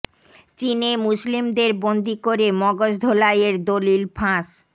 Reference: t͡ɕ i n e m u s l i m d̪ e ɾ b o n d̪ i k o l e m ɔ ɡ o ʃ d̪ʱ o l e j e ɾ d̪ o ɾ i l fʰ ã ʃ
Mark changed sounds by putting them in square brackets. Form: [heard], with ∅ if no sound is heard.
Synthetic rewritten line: t͡ɕ i n e m u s l i m d̪ e ɾ b o n d̪ i k o [ɾ] e m ɔ ɡ o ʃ d̪ʱ o l [a] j e ɾ d̪ o [l] i l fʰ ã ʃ